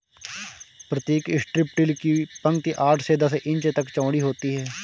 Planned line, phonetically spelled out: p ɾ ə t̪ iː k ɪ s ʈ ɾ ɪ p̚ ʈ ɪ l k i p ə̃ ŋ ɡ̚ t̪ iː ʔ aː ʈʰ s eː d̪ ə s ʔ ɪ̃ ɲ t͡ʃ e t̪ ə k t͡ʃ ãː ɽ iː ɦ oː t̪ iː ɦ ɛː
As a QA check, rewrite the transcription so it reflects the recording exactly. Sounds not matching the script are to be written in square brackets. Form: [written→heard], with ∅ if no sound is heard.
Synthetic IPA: p ɾ ə t̪ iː k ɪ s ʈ ɾ ɪ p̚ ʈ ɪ l k i p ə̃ ŋ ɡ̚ t̪ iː ʔ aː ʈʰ s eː d̪ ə s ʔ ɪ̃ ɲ t͡ʃ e t̪ ə k t͡ʃ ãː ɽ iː ɦ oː t̪ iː ɦ ɛː

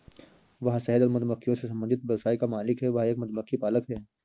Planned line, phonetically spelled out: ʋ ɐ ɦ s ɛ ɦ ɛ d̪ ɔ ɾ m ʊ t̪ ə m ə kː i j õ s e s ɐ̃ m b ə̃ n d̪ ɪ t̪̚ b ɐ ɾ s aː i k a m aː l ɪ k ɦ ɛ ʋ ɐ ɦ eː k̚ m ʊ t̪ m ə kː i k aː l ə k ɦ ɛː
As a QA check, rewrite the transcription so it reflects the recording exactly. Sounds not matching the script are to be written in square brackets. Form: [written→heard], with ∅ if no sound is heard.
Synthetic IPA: ʋ ɐ ɦ s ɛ ɦ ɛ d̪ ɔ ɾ m ʊ t̪ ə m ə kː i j õ s e s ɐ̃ m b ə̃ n d̪ ɪ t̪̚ b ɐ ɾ s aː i k a m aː l ɪ k ɦ ɛ ʋ ɐ ɦ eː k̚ m ʊ t̪ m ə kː i [k→p] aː l ə k ɦ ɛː

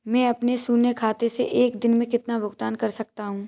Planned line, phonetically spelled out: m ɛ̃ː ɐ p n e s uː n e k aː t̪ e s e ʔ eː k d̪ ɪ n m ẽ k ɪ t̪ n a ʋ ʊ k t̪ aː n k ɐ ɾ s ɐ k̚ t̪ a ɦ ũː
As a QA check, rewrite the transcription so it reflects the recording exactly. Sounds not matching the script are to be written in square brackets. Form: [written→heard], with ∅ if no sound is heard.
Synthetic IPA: m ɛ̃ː ɐ p n e s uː n e [k→kʰ] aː t̪ e s e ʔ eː k d̪ ɪ n m ẽ k ɪ t̪ n a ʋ ʊ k t̪ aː n k ɐ ɾ s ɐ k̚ t̪ a ɦ ũː

